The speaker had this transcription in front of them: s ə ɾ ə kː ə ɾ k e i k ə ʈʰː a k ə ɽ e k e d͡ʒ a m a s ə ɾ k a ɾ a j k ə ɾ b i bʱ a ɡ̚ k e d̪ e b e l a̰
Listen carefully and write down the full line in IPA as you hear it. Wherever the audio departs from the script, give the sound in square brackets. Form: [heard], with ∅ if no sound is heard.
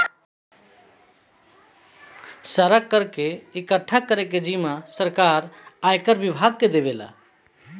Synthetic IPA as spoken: s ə ɾ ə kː ə ɾ k e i k ə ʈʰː a k ə [ɾ] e k e d͡ʒ [i] m a s ə ɾ k a ɾ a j k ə ɾ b i bʱ a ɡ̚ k e d̪ e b e l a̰